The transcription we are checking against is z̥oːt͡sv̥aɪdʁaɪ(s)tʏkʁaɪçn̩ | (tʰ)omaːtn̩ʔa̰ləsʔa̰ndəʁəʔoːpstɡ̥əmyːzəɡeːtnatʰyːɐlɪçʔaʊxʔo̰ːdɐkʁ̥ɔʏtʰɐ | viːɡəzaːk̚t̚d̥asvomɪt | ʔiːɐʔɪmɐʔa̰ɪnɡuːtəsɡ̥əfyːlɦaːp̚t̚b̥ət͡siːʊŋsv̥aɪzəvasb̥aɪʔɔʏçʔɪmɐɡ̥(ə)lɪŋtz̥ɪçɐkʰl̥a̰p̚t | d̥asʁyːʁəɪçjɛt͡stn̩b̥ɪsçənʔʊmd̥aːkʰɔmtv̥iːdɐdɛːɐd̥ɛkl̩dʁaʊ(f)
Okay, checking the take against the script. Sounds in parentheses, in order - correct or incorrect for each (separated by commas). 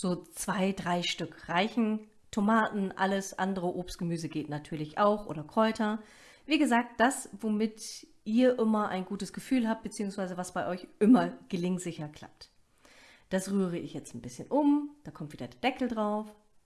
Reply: incorrect, correct, correct, correct